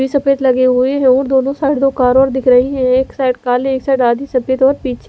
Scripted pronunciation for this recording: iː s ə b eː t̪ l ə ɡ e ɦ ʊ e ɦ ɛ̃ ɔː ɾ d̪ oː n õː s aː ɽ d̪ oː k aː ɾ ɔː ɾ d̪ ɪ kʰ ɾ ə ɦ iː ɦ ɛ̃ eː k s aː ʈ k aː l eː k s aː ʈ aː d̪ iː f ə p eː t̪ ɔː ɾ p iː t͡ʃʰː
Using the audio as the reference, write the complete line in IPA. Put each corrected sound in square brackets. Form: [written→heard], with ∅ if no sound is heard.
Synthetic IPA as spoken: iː s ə [b→p] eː t̪ l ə ɡ e ɦ ʊ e ɦ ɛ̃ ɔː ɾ d̪ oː n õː s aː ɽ d̪ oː k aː ɾ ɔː ɾ d̪ ɪ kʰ ɾ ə ɦ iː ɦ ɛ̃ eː k s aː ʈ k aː l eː k s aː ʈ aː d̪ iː [f→s] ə p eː t̪ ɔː ɾ p iː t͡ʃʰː

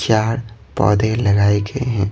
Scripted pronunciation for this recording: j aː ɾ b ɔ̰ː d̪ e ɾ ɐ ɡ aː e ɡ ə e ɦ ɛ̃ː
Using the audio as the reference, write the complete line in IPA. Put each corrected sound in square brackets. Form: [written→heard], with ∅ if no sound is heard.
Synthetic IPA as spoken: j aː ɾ [b→p] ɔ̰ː d̪ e [ɾ→l] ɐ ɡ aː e ɡ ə e ɦ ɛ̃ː

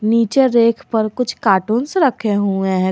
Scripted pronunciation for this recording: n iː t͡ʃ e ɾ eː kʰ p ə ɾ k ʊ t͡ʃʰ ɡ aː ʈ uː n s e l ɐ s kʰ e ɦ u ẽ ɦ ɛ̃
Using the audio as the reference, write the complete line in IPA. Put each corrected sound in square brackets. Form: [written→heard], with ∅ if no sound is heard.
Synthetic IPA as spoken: n iː t͡ʃ e ɾ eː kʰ p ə ɾ k ʊ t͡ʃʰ [ɡ→k] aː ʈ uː n s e [l→ɾ] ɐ [s→∅] kʰ e ɦ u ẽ ɦ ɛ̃

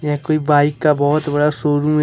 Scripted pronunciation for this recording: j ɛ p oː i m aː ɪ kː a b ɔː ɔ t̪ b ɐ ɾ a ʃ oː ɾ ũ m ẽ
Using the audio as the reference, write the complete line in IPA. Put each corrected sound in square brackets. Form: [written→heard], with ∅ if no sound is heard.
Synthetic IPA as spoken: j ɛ [p→k] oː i [m→b] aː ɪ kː a b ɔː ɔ t̪ b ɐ [ɾ→ɽ] a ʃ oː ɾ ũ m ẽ

